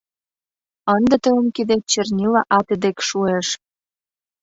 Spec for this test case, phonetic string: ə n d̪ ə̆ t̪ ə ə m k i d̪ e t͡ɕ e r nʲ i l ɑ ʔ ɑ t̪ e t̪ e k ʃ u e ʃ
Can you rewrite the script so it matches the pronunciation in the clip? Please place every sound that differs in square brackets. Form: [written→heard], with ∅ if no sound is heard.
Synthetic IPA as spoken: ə n d̪ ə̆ t̪ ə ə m k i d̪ e t͡ɕ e r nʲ i l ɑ ʔ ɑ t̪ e [t̪→d̪] e k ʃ u e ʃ